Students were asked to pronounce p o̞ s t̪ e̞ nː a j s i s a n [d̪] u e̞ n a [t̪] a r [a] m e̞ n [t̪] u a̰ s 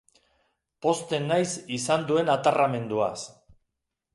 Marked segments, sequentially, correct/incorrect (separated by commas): correct, correct, correct, incorrect